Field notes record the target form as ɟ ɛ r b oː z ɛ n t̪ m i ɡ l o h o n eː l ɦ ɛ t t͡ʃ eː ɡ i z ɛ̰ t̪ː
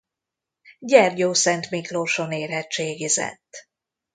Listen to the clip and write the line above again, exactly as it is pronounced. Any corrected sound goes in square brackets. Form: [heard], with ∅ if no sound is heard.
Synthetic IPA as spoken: ɟ ɛ r [ɟ] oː [s] ɛ n t̪ m i [k] l o [ʃ] o n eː [r] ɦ ɛ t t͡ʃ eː ɡ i z ɛ̰ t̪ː

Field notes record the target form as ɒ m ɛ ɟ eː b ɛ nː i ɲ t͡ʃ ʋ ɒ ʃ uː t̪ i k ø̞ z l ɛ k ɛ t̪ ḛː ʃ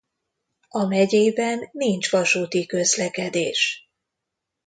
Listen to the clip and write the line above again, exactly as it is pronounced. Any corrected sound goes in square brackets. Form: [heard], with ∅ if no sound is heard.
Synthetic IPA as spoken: ɒ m ɛ ɟ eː b ɛ nː i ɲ t͡ʃ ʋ ɒ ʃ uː t̪ i k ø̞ z l ɛ k ɛ [d̪] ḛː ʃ

